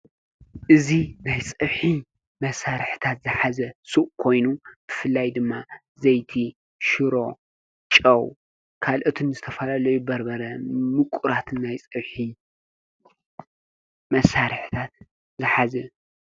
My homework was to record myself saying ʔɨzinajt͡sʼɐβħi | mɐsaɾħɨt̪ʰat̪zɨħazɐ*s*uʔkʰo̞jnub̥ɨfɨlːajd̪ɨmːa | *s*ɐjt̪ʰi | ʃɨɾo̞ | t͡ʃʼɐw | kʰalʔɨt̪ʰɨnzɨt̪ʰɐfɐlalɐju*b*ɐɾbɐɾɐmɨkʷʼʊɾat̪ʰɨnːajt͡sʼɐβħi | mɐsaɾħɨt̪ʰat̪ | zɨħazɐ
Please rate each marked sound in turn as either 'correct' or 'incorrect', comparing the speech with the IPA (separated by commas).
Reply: correct, incorrect, correct